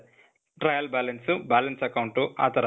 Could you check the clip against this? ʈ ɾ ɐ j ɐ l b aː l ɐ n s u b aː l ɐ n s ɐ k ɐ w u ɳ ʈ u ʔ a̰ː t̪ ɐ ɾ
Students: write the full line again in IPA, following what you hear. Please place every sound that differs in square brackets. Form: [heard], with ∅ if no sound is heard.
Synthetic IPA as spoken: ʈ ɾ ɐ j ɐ l b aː l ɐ n s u b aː l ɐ n s ɐ k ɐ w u ɳ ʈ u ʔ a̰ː t̪ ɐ ɾ